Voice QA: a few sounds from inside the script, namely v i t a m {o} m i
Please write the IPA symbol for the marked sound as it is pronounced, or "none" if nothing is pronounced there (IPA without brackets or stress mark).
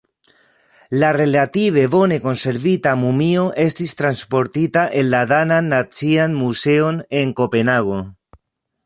u